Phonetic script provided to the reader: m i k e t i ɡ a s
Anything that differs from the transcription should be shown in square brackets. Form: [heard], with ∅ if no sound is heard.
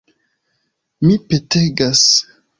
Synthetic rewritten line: m i [p] e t [e] ɡ a s